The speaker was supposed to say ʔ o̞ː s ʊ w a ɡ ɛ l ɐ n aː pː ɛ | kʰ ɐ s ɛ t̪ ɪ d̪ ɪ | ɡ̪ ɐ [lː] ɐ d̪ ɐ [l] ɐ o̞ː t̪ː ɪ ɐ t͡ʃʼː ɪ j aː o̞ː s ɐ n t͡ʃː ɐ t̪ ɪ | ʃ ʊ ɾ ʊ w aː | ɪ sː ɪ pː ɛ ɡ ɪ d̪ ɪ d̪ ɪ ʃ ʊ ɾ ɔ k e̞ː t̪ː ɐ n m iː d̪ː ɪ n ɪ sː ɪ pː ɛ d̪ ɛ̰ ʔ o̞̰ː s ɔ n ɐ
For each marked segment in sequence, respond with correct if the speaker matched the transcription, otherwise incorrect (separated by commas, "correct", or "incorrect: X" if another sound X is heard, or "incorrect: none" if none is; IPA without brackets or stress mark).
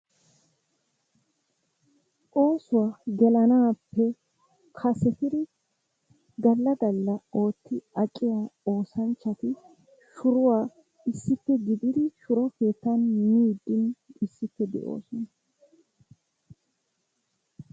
correct, incorrect: lː